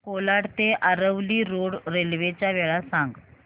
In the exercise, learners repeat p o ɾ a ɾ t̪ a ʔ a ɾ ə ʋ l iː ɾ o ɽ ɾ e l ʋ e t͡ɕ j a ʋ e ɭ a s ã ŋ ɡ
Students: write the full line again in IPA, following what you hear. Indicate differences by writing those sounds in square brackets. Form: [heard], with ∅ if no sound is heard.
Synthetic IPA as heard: [k] o [l] a [ɽ] t̪ [e] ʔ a ɾ ə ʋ l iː ɾ o ɽ ɾ e l ʋ e t͡ɕ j a ʋ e ɭ a s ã ŋ ɡ